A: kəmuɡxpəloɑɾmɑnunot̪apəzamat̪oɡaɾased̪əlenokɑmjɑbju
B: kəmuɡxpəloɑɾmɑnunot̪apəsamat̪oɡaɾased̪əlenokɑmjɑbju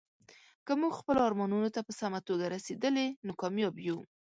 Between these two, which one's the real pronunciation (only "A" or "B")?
B